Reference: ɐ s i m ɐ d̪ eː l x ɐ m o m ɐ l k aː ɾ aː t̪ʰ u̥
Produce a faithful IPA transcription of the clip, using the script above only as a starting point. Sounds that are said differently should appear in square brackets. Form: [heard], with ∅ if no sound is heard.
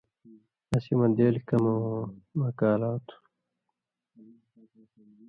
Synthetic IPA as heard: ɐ s i m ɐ d̪ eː l [k] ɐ m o m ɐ [∅] k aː [l] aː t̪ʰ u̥